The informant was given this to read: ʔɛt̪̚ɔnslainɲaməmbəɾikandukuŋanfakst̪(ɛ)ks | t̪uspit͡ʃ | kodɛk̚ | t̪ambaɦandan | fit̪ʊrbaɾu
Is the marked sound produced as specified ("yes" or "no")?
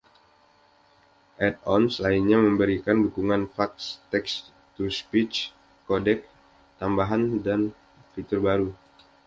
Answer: yes